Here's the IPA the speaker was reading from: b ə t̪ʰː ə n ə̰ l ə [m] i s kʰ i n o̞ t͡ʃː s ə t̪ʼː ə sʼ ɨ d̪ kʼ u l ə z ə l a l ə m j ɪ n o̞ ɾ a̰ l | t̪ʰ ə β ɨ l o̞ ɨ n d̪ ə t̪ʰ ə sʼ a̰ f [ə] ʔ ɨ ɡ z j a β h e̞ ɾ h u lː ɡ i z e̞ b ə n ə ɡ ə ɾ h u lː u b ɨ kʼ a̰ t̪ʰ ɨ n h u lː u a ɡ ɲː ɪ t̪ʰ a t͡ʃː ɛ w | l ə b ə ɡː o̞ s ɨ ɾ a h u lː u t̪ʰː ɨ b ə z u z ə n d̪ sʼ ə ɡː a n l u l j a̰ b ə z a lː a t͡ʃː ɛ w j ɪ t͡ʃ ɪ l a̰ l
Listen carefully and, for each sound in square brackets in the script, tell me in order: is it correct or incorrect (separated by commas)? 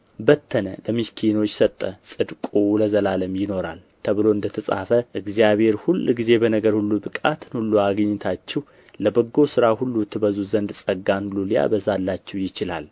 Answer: correct, correct